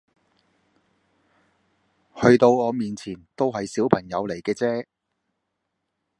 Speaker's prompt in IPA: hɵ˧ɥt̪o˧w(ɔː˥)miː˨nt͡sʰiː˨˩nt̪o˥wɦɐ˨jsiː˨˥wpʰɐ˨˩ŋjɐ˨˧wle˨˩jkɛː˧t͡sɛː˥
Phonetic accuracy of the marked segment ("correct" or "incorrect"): incorrect